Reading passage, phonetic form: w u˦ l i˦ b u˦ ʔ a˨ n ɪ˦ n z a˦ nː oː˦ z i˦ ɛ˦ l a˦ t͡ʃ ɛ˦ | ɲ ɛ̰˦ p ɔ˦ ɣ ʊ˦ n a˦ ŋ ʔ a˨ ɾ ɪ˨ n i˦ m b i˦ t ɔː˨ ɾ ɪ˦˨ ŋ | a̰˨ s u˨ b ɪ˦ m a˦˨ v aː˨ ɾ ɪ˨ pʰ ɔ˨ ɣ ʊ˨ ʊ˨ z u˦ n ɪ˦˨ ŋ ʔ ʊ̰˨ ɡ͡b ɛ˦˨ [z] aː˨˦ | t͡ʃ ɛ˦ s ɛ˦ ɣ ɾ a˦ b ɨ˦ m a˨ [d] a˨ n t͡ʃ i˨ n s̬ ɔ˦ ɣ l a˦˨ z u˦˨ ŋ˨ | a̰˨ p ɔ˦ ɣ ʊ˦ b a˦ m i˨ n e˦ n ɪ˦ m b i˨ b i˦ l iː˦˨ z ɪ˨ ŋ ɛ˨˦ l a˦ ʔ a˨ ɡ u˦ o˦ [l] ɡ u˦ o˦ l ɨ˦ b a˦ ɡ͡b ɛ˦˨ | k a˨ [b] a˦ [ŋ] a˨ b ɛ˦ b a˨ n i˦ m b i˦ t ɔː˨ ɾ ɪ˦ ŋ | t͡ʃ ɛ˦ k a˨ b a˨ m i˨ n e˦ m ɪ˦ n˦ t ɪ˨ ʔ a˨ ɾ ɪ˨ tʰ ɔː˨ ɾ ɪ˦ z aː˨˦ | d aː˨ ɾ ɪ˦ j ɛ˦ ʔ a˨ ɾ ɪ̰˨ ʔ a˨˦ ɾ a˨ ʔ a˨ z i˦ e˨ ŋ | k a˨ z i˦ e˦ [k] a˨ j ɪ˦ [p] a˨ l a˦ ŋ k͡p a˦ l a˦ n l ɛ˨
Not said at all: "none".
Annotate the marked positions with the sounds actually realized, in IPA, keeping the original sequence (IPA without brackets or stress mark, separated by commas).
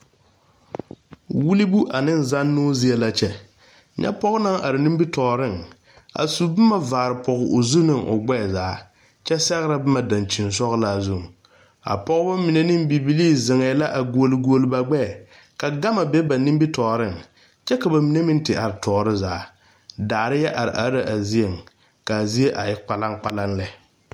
z, d, l, ɡ, m, ʔ, k͡p